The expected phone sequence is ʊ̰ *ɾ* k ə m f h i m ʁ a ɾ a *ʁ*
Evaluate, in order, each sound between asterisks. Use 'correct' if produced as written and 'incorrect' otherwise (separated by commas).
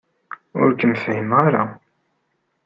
correct, incorrect